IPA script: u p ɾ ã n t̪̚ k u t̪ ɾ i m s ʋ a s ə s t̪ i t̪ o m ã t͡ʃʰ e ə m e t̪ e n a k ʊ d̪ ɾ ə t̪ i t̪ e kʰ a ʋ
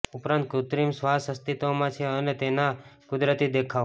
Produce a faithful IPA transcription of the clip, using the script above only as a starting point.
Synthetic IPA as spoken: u p ɾ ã n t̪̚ k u t̪ ɾ i m s ʋ a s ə s t̪ i t̪ o m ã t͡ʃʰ e ə n e t̪ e n a k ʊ d̪ ɾ ə t̪ i d̪ e kʰ a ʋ